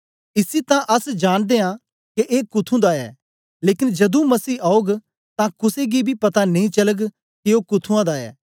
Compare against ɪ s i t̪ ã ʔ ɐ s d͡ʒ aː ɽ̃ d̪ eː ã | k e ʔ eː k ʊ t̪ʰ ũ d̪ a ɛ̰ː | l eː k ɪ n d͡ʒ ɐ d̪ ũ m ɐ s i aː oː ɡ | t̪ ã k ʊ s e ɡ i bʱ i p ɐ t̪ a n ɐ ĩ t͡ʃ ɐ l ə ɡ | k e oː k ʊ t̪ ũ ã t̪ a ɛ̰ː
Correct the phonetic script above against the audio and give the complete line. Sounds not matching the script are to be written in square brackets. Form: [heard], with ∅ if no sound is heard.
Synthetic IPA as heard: ɪ s i t̪ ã ʔ ɐ s d͡ʒ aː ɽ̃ d̪ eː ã | k e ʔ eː k ʊ t̪ʰ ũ d̪ a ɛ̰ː | l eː k ɪ n d͡ʒ ɐ d̪ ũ m ɐ s [iː] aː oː ɡ | t̪ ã k ʊ s e ɡ i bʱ i p ɐ t̪ a n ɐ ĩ t͡ʃ ɐ l ə ɡ | k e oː k ʊ [t̪ʰ] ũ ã [d̪] a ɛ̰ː

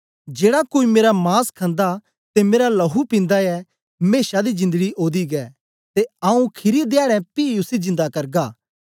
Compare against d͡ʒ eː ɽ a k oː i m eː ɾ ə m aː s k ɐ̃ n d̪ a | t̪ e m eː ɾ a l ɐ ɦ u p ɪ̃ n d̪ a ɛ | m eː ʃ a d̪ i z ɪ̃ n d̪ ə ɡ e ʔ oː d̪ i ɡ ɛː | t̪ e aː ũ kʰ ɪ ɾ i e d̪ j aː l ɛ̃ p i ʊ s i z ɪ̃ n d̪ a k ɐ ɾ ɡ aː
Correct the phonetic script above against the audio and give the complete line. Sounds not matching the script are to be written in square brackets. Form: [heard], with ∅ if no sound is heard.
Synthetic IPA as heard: d͡ʒ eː ɽ a k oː i m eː ɾ [a] m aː s [kʰ] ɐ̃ n d̪ a | t̪ e m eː ɾ a l ɐ ɦ u p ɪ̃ n d̪ a ɛ | m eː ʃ a d̪ i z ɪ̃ n d̪ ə ɡ [i] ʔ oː d̪ i ɡ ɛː | t̪ e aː ũ kʰ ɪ ɾ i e d̪ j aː [ɽ] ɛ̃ p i ʊ s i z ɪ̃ n d̪ a k ɐ ɾ ɡ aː

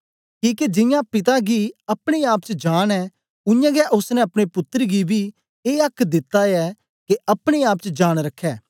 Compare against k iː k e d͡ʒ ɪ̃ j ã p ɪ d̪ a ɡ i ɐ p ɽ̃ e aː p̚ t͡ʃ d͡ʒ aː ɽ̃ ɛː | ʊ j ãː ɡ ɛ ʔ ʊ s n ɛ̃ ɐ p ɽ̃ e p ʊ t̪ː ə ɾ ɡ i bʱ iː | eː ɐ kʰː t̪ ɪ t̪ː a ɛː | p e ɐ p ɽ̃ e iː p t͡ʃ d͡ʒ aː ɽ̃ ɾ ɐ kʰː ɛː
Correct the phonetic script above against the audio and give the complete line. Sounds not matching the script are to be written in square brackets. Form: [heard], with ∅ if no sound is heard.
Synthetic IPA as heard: k iː k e d͡ʒ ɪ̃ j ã p ɪ [t̪] a ɡ i ɐ p ɽ̃ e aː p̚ t͡ʃ d͡ʒ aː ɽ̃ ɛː | ʊ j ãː ɡ ɛ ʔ ʊ s n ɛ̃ ɐ p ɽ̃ e p ʊ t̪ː ə ɾ ɡ i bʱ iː | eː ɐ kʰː [d̪] ɪ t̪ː a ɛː | [k] e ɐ p ɽ̃ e [aː] p t͡ʃ d͡ʒ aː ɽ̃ ɾ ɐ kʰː ɛː

